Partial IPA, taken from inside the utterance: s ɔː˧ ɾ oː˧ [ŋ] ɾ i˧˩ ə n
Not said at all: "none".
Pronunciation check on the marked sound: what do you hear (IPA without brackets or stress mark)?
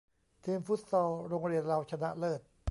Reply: ŋ